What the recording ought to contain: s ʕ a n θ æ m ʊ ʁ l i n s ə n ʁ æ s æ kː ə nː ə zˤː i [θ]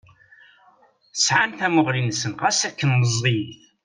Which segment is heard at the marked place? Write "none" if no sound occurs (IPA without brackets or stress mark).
θ